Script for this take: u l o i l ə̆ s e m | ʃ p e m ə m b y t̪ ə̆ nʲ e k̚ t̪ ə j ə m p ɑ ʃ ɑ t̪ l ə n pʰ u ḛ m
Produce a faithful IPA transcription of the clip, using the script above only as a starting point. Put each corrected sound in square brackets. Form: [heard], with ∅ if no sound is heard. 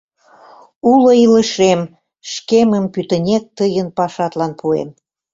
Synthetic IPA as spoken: u l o i l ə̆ [ʃ] e m | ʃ [k] e m ə m [p] y t̪ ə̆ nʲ e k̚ t̪ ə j ə [n] p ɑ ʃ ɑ t̪ l [ɑ] n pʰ u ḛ m